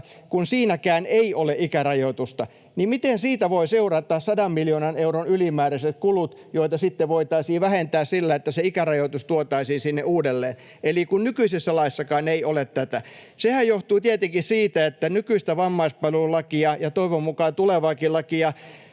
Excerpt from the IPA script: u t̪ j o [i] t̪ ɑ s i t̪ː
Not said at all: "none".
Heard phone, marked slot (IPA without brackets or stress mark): i